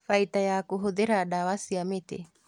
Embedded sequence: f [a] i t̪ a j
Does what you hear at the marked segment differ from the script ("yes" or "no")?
no